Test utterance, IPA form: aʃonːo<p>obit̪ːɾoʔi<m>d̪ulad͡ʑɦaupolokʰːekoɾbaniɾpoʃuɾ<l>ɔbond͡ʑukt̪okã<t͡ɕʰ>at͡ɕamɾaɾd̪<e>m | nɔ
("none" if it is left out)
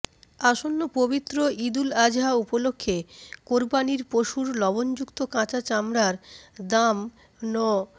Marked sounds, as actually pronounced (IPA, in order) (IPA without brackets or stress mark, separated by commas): p, none, l, t͡ɕ, a